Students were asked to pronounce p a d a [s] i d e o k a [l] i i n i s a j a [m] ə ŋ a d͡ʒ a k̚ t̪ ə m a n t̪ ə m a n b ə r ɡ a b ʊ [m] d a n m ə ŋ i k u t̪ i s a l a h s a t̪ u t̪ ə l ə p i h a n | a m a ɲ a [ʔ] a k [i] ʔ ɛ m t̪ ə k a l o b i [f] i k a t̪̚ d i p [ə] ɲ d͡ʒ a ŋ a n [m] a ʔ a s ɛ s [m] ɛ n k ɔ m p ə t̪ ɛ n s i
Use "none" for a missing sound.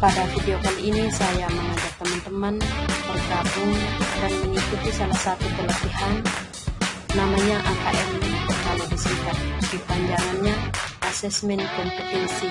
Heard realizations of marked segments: f, l, m, ŋ, ʔ, a, s, a, ɲ, m

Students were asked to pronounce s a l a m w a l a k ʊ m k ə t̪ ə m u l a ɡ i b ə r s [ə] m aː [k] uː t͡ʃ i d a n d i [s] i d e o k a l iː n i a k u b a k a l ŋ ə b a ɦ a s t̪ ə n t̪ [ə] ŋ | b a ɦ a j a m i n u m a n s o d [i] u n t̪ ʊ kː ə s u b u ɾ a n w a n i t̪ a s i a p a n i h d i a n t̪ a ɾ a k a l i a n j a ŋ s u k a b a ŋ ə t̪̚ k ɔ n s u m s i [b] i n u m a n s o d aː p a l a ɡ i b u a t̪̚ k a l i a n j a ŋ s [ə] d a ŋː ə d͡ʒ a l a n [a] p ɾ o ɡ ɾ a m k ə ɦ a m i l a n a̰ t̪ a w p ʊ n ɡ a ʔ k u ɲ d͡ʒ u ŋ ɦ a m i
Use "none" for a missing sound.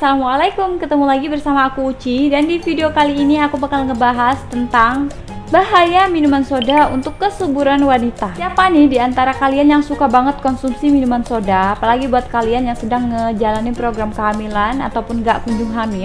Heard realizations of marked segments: a, k, f, a, a, m, ə, i

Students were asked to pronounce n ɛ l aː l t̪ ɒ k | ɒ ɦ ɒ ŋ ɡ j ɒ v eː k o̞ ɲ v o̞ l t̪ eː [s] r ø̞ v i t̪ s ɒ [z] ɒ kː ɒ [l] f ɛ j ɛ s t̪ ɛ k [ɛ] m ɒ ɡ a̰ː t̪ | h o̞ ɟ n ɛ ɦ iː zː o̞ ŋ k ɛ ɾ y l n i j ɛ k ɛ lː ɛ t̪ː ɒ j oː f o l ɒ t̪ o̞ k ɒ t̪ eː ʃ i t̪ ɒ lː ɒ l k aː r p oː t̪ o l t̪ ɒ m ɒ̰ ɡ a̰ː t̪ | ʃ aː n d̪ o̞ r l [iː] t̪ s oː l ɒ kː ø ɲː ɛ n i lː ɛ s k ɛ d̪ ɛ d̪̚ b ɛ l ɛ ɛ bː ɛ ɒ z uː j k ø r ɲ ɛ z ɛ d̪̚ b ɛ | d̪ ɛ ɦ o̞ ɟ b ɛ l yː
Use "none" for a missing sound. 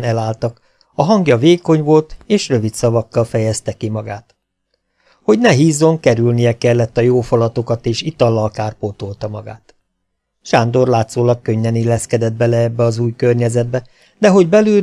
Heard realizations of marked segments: ʃ, v, l, i, aː

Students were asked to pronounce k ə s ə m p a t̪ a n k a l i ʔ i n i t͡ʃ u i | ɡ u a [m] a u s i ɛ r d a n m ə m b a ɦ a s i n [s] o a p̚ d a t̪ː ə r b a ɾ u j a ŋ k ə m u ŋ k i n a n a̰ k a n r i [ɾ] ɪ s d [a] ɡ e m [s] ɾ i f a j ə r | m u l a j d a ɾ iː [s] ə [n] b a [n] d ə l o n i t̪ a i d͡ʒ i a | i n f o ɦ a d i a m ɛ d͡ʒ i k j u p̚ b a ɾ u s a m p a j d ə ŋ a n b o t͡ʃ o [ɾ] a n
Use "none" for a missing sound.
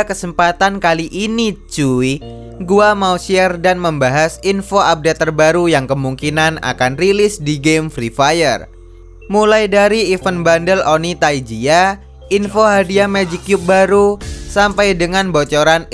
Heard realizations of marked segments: m, f, l, i, f, f, n, n, ɾ

